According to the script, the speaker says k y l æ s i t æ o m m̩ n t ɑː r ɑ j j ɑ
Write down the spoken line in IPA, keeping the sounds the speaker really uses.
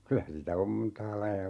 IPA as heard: k y l æ s i t æ o m m̩ n t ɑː l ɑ i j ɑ